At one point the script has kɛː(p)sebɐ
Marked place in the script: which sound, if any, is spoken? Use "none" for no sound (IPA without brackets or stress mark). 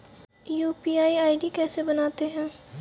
none